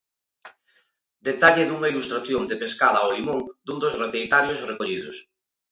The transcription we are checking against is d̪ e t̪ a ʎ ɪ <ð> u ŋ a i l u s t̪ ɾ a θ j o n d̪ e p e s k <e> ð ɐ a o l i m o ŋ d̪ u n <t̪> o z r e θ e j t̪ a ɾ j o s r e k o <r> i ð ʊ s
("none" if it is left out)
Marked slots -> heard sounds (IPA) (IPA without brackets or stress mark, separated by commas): ð, a, d̪, ʎ